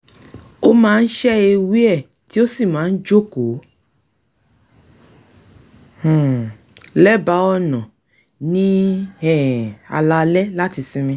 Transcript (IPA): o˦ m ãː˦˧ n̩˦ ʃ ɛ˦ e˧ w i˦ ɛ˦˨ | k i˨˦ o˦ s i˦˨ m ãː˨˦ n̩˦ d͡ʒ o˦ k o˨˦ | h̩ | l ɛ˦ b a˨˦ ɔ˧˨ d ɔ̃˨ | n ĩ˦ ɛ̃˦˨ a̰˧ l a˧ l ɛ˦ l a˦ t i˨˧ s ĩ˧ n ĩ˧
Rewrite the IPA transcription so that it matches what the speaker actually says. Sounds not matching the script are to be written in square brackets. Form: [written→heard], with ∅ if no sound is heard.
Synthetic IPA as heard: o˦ m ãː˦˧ n̩˦ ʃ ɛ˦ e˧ w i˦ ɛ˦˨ | [k→t] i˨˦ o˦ s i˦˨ m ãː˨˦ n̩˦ d͡ʒ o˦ k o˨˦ | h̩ | l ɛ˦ b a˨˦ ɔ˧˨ [d→n] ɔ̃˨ | n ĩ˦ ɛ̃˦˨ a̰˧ l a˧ l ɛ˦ l a˦ t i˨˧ s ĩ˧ [n→m] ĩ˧